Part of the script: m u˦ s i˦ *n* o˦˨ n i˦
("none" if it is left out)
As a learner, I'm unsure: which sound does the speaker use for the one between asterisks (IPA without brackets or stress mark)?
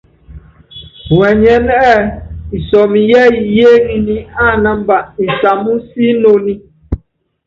n